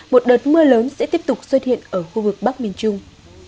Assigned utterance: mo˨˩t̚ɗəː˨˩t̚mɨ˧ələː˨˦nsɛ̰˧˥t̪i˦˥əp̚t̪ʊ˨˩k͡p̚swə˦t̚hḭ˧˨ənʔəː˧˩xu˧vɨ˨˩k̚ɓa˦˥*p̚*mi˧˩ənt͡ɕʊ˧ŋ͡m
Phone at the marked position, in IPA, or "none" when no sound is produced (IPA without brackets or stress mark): k̚